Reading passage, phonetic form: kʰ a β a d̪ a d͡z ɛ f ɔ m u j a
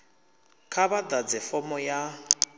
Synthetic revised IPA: kʰ a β a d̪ a d͡z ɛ f ɔ m ɔ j a